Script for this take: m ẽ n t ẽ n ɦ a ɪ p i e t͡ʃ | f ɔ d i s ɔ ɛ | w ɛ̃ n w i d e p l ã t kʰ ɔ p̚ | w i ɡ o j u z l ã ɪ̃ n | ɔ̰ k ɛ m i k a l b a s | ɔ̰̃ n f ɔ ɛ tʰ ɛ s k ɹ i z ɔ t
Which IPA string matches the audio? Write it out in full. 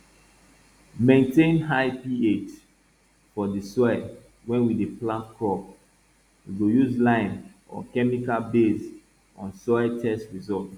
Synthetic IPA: m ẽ n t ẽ n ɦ a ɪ p i e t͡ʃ | f ɔ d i s ɔ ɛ | w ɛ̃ n w i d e p l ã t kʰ ɔ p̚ | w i ɡ o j u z l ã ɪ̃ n | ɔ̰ k ɛ m i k a l b e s | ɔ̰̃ n s ɔ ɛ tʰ ɛ s t ɹ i z ɔ t